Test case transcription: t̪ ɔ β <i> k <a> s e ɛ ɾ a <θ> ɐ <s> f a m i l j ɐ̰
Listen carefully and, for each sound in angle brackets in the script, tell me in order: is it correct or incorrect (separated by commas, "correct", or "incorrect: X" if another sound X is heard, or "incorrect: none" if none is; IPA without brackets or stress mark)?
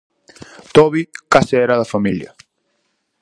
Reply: correct, correct, incorrect: ð, incorrect: none